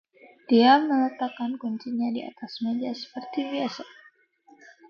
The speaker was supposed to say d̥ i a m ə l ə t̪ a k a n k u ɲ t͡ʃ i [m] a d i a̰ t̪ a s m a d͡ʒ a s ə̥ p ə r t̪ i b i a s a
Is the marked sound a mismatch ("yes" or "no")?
yes